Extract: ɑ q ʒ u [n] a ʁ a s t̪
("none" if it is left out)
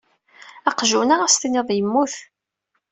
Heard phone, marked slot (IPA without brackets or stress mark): n